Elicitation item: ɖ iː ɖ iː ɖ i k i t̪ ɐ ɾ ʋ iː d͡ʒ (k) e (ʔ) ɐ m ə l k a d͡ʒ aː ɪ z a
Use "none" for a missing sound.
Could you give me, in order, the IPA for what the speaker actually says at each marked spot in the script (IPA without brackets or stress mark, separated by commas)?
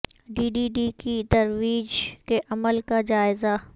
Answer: k, ʔ